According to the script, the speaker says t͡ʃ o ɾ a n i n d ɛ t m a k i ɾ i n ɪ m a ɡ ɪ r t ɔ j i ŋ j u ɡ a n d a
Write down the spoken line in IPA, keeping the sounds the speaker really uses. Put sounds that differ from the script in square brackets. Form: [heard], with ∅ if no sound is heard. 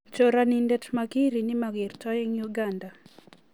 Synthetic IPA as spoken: t͡ʃ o ɾ a n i n d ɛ t m a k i ɾ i n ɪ m a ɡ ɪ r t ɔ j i ŋ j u ɡ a n d a